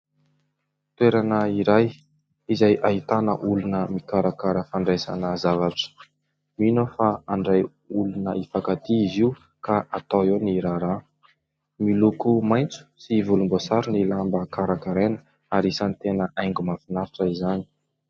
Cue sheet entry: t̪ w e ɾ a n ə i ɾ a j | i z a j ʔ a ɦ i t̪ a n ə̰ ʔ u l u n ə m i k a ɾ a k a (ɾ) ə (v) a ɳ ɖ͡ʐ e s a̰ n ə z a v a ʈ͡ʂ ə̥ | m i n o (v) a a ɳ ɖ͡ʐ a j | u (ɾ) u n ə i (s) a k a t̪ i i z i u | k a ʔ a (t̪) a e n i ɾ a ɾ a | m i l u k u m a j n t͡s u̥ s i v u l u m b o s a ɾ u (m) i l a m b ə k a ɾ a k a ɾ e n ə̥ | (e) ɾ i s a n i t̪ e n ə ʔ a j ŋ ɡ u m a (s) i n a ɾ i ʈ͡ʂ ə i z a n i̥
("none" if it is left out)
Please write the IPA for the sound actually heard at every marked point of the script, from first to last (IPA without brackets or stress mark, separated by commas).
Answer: ɾ, f, f, l, f, t̪, n, a, f